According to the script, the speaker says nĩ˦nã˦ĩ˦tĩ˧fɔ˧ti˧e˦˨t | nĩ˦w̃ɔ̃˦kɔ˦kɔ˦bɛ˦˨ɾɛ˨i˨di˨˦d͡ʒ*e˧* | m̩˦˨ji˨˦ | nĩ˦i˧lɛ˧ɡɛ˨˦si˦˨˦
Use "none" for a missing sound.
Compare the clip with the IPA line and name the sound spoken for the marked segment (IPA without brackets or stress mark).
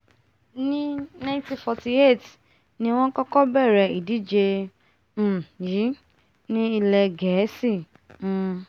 e˧